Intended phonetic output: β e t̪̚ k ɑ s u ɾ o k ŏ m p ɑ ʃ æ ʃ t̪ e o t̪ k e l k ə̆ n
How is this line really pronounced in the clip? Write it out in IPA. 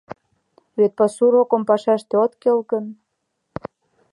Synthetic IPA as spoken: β e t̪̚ p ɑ s u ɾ o k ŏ m p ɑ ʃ æ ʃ t̪ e o t̪ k e l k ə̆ n